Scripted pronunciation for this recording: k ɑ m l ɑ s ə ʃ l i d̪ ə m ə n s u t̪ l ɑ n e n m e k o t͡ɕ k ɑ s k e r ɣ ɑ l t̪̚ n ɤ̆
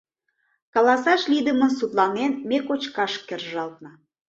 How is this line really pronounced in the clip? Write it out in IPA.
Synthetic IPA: k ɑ l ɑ s ɑ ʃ l i d̪ ə m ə n s u t̪ l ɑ n e n m e k o t͡ɕ k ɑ ʃ k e r ʒ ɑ l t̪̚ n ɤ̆